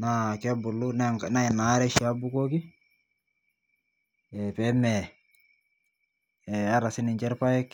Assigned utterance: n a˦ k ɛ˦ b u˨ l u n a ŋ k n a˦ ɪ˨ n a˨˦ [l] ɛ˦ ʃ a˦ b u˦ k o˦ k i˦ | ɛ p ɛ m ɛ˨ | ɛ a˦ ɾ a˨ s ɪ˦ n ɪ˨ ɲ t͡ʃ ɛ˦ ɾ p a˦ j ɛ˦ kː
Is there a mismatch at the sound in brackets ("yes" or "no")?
yes